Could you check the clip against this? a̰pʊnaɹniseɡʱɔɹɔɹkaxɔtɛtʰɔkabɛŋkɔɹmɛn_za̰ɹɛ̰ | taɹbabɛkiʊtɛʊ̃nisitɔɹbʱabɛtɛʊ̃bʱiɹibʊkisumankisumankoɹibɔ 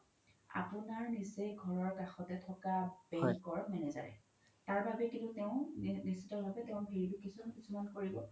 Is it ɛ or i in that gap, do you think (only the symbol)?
ɛ